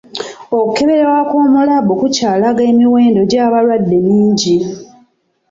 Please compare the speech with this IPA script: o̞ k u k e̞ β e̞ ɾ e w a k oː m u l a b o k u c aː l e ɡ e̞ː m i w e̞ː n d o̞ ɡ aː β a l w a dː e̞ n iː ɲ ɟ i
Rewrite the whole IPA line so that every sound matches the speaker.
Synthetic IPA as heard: o̞ k u k e̞ β e̞ ɾ e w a k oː m u l a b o k u c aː l a ɡ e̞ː m i w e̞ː n d o̞ ɟ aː β a l w a dː e̞ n iː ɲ ɟ i